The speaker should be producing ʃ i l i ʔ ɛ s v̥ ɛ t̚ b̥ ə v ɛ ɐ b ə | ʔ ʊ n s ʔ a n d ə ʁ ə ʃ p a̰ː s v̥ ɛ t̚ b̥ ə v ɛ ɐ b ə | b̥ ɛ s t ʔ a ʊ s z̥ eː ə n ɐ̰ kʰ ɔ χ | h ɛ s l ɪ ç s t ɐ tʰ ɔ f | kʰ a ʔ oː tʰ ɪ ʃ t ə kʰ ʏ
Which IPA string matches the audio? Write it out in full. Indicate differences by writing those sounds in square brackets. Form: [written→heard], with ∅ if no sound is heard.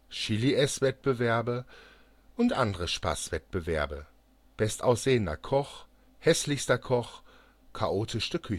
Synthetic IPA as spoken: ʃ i l i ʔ ɛ s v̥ ɛ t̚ b̥ ə v ɛ ɐ b ə | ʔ ʊ n [s→t] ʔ a n d ə ʁ ə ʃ p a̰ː s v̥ ɛ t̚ b̥ ə v ɛ ɐ b ə | b̥ ɛ s t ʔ a ʊ s z̥ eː ə n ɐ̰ kʰ ɔ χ | h ɛ s l ɪ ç s t ɐ [tʰ→kʰ] ɔ [f→χ] | kʰ a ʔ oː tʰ ɪ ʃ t ə kʰ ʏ